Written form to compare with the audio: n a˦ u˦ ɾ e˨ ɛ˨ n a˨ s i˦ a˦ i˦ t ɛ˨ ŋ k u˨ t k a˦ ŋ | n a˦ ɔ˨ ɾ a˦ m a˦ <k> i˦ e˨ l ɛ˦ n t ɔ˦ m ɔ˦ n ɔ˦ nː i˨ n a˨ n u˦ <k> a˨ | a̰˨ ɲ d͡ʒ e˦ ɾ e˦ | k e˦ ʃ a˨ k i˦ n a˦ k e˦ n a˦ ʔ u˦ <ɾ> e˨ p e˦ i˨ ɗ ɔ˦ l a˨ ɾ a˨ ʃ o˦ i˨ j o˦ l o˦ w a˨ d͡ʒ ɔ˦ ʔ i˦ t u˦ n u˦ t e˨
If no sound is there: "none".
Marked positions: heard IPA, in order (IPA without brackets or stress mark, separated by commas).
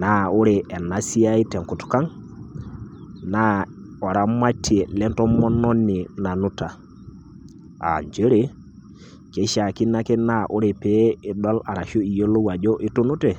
t, t, ɾ